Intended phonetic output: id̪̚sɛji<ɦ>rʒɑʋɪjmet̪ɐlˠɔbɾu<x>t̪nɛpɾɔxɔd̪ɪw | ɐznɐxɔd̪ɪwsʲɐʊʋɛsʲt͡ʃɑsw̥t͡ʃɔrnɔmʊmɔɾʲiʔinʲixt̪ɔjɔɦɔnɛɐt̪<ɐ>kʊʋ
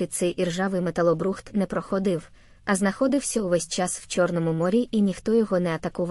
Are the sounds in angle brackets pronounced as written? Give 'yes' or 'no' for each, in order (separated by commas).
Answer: no, yes, yes